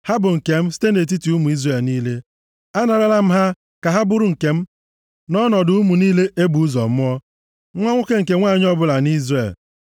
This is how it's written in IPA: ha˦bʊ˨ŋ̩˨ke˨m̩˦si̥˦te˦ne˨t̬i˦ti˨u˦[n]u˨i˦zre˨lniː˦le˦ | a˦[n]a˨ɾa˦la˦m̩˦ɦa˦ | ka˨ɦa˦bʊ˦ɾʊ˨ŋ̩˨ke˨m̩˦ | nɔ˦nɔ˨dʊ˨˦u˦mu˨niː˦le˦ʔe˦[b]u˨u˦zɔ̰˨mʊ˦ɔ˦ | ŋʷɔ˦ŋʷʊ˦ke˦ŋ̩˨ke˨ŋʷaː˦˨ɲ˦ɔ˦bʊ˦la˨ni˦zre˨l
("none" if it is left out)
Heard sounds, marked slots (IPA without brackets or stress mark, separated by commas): m, n, b